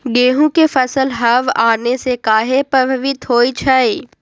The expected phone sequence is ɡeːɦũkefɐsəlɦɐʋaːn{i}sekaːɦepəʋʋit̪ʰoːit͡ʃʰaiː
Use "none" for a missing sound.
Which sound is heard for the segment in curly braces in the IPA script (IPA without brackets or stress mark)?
e